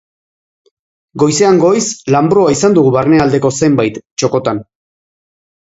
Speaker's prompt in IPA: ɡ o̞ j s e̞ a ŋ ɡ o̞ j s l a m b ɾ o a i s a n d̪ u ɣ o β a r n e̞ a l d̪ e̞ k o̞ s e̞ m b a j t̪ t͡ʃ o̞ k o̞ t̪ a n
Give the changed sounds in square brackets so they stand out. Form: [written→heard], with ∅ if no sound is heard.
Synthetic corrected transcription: ɡ o̞ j s e̞ a ŋ ɡ o̞ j s l a m b ɾ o a i s a n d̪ u ɣ [o→u] β a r n e̞ a l d̪ e̞ k o̞ s e̞ m b a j t̪ t͡ʃ o̞ k o̞ t̪ a n